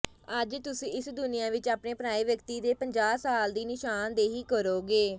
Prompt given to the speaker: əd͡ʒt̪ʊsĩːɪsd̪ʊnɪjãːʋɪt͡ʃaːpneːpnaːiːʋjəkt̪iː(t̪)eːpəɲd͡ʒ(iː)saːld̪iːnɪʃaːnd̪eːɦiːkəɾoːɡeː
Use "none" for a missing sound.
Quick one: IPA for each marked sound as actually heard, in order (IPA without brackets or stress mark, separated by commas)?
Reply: d̪, aː